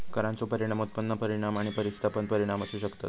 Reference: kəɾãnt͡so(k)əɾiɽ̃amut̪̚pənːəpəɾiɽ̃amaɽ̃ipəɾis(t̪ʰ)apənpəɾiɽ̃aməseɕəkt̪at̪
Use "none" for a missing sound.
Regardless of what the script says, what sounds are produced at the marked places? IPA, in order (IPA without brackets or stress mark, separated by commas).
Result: p, t̪ʰ